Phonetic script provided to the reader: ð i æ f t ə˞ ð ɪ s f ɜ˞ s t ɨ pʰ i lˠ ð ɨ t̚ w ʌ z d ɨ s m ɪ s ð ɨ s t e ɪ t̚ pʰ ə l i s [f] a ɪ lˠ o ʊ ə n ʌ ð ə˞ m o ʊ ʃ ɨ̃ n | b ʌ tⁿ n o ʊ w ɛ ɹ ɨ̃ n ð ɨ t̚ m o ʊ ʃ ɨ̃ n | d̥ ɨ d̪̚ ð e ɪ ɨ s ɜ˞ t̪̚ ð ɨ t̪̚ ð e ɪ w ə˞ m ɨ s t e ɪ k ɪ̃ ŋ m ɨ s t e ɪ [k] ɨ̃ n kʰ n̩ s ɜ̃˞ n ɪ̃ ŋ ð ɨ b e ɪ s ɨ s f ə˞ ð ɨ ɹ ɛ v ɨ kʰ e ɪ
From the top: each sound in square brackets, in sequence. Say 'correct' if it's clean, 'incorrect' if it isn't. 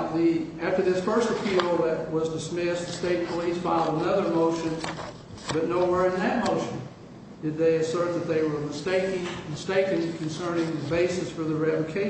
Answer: correct, correct

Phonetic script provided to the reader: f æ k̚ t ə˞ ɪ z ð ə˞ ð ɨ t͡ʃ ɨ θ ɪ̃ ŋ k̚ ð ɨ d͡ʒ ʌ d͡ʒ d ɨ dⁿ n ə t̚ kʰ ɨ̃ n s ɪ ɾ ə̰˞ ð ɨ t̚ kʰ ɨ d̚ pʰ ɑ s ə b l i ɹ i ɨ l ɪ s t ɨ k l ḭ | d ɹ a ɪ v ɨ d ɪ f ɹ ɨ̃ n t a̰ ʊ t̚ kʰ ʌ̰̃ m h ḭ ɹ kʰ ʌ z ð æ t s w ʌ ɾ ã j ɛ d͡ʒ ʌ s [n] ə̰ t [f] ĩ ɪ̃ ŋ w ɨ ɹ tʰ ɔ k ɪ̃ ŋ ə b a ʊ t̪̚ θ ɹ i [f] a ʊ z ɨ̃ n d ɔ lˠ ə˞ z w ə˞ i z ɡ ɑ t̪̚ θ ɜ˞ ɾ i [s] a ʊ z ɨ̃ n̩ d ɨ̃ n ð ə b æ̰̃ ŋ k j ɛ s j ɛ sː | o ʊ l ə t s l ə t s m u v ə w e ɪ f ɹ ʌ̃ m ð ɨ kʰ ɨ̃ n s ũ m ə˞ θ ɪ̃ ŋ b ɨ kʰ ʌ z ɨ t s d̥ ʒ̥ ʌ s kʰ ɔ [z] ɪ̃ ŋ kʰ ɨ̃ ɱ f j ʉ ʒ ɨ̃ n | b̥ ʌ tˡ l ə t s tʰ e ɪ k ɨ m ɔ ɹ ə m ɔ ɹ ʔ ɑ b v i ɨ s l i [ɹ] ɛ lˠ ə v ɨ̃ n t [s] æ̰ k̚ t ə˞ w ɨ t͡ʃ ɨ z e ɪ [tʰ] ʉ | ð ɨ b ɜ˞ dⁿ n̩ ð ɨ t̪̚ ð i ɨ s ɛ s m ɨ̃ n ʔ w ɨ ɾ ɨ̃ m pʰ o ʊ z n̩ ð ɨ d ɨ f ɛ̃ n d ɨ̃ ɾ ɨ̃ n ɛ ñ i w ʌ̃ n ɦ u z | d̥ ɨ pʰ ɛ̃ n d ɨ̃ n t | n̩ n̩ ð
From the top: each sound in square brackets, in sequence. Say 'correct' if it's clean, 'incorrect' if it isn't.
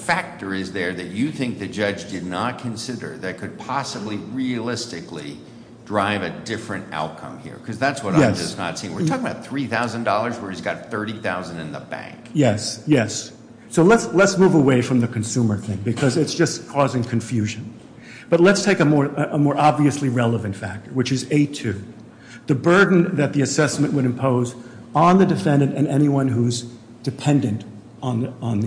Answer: correct, incorrect: s, incorrect: θ, incorrect: θ, correct, correct, incorrect: f, correct

